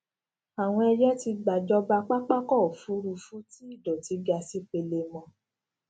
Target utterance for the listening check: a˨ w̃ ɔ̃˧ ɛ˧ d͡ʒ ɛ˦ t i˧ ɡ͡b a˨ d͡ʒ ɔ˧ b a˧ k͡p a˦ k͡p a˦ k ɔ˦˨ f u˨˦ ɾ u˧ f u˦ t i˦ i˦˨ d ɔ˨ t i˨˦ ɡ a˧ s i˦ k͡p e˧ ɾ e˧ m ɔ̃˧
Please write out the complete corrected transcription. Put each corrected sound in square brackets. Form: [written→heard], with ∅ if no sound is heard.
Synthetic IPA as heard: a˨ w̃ ɔ̃˧ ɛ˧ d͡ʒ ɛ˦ t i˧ ɡ͡b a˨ d͡ʒ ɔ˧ b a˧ k͡p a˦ k͡p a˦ k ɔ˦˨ f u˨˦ ɾ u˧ f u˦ t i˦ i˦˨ d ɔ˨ t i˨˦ ɡ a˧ s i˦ k͡p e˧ [ɾ→l] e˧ m ɔ̃˧